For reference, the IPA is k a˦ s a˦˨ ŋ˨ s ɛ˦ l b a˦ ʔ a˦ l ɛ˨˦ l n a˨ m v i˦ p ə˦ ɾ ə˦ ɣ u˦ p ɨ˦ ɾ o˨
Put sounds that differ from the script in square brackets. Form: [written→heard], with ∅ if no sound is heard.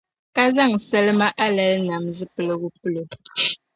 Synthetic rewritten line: k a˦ [s→z] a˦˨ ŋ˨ s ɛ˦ l [b→m] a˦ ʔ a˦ l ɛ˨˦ l n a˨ m [v→z] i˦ p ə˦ [ɾ→l] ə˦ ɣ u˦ p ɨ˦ [ɾ→l] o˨